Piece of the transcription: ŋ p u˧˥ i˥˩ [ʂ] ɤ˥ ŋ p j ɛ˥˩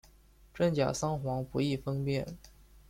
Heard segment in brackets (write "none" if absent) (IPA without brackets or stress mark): f